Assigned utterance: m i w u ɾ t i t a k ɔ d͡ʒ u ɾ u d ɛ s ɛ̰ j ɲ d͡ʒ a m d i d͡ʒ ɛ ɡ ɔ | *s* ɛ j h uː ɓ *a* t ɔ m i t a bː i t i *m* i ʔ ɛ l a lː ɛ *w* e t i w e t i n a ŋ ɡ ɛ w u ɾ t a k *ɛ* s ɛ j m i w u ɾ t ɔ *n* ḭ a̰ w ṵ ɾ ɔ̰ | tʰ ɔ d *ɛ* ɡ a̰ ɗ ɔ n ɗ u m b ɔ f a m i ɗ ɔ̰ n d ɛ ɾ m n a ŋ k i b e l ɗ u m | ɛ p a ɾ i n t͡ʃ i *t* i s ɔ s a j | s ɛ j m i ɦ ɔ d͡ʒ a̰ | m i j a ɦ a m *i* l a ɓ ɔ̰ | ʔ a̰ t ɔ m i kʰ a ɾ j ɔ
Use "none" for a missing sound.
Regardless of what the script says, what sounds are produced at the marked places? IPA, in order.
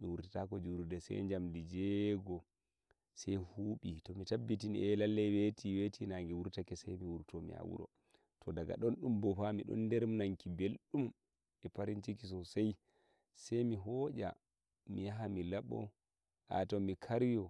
s, i, n, w, ɛ, m, a, k, i

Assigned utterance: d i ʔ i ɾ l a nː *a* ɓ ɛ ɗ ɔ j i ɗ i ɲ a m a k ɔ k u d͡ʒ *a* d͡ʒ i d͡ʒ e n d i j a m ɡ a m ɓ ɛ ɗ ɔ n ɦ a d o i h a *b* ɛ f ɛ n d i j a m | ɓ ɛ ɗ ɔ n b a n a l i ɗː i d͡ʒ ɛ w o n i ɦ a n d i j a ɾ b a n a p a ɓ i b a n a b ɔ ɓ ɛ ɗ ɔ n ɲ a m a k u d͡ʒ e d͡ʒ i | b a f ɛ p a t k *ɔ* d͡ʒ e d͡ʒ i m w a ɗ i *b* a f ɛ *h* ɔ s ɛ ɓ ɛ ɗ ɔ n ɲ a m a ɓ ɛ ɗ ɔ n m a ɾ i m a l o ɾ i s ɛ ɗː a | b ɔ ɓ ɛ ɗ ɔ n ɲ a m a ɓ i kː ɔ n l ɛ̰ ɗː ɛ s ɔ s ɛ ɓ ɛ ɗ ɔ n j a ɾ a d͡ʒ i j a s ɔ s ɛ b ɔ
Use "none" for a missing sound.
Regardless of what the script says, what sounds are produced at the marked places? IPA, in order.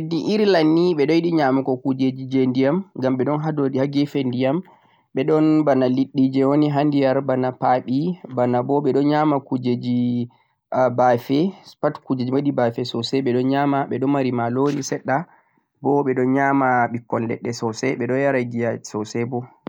i, e, ɡ, u, b, s

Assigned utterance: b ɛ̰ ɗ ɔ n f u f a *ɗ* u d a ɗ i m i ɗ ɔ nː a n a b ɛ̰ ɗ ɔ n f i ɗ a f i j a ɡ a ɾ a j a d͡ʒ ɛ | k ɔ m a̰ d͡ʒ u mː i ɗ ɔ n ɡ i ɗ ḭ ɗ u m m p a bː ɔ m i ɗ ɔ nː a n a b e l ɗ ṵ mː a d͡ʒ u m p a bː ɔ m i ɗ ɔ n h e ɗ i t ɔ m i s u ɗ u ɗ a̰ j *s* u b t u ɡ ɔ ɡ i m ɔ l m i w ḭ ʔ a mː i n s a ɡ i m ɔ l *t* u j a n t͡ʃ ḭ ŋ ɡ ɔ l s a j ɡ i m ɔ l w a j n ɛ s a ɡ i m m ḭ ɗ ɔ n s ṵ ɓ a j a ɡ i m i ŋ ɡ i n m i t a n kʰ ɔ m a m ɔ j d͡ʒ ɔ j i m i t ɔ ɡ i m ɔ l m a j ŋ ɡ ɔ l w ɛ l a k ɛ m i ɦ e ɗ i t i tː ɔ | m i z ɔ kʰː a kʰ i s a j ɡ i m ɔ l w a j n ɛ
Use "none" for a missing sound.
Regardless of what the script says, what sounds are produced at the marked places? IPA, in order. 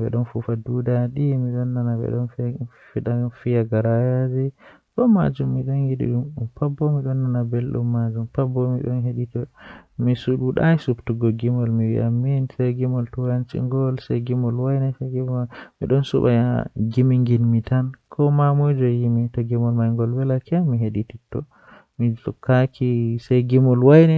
d, s, t

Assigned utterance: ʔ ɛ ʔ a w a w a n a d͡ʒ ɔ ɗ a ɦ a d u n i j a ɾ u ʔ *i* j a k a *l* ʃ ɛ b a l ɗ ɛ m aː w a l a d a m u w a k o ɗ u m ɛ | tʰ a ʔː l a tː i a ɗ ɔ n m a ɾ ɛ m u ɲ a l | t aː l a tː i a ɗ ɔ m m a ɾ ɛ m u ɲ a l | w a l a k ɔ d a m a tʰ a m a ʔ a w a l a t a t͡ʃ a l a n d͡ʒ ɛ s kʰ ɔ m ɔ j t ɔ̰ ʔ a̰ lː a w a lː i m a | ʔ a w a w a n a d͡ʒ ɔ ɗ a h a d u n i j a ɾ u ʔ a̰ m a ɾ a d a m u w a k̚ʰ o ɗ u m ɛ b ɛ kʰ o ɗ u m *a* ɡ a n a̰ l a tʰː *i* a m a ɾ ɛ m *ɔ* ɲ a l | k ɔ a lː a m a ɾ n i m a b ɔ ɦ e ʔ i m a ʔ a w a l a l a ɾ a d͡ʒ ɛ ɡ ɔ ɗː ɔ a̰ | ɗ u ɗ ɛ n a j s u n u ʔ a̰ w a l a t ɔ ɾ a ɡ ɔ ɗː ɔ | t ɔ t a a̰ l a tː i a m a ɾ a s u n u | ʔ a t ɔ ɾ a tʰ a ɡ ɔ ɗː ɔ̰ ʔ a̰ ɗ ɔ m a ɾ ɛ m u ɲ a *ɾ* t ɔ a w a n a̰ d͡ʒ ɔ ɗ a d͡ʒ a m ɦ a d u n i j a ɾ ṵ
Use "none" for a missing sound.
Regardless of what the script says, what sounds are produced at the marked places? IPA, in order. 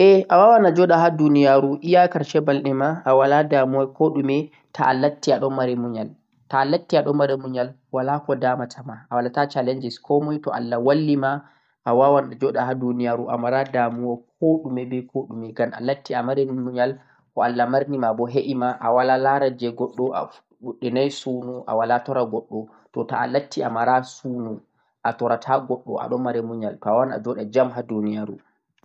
i, ɾ, ɛ, i, u, l

